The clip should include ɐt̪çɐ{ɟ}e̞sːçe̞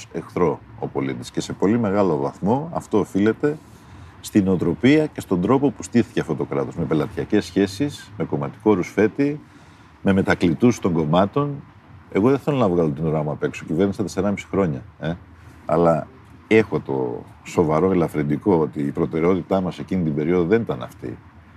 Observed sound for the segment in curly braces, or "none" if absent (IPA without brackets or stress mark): c